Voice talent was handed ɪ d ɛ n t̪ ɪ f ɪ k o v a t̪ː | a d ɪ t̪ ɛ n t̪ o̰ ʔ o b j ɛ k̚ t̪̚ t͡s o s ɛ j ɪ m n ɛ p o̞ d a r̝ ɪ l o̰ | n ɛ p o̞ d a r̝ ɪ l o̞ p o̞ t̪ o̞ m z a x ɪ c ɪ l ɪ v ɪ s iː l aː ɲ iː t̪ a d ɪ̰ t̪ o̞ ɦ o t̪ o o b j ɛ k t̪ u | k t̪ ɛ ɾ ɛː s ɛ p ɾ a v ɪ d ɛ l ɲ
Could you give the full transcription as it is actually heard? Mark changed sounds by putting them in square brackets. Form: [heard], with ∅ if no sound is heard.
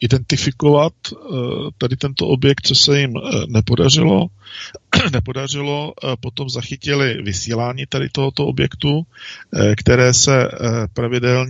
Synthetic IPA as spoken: ɪ d ɛ n t̪ ɪ f ɪ k o v a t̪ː | a d ɪ t̪ ɛ n t̪ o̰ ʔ o b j ɛ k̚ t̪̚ t͡s o s ɛ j ɪ m n ɛ p o̞ d a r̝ ɪ l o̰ | n ɛ p o̞ d a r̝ ɪ l o̞ p o̞ t̪ o̞ m z a x ɪ c ɪ l ɪ v ɪ s iː l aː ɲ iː t̪ a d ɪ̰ t̪ o̞ ɦ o t̪ o o b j ɛ k t̪ u | k t̪ ɛ ɾ ɛː s ɛ p ɾ a v ɪ d ɛ l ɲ